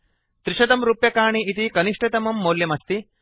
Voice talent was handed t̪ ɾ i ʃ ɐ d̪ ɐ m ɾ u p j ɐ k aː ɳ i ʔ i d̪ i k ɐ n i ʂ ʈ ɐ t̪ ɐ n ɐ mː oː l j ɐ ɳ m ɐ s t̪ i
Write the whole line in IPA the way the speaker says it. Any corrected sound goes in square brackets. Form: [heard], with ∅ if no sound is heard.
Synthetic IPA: t̪ ɾ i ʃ ɐ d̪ ɐ m ɾ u p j ɐ k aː ɳ i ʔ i [t̪] i k ɐ n i ʂ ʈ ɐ t̪ ɐ [m] ɐ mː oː l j ɐ [∅] m ɐ s t̪ i